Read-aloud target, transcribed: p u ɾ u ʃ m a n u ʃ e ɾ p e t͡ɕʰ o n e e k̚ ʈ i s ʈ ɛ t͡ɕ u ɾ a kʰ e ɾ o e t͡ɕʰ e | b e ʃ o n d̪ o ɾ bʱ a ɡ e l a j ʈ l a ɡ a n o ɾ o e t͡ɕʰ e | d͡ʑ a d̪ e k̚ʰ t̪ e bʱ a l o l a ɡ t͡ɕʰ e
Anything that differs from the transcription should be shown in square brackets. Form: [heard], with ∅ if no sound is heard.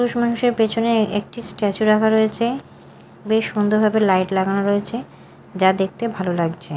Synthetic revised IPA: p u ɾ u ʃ m a n u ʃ e ɾ p e t͡ɕʰ o n e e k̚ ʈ i s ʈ ɛ t͡ɕ u ɾ a kʰ [a] ɾ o e t͡ɕʰ e | b e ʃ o n d̪ o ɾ bʱ a [b] e l a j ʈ l a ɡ a n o ɾ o e t͡ɕʰ e | d͡ʑ a d̪ e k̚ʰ t̪ e bʱ a l o l a ɡ t͡ɕʰ e

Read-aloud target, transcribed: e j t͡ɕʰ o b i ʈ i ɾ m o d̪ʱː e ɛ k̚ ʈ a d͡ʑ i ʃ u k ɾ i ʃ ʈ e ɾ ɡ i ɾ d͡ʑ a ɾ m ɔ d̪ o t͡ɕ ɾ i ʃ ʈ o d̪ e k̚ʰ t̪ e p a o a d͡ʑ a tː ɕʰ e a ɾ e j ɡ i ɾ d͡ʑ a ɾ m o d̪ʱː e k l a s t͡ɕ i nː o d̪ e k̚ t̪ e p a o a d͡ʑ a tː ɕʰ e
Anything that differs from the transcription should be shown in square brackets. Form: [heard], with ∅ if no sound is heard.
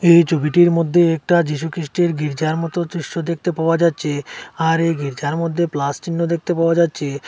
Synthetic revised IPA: e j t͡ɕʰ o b i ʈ i ɾ m o d̪ʱː e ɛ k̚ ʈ a d͡ʑ i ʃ u k ɾ i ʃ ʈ e ɾ ɡ i ɾ d͡ʑ a ɾ m ɔ [t̪] o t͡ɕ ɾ i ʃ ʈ o d̪ e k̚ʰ t̪ e p a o a d͡ʑ a tː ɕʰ e a ɾ e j ɡ i ɾ d͡ʑ a ɾ m o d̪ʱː e [p] l a s t͡ɕ i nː o d̪ e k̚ t̪ e p a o a d͡ʑ a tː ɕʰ e

